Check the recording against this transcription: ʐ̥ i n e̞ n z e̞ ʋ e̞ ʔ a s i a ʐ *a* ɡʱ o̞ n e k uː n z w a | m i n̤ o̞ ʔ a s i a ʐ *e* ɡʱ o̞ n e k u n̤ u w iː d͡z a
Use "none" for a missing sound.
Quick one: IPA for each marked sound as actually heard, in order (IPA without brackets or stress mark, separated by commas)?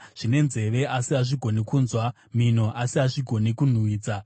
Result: i, i